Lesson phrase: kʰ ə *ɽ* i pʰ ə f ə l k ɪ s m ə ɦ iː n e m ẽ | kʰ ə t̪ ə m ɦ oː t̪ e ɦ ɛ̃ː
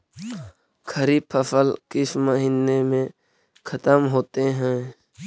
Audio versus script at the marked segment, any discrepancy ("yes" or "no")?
yes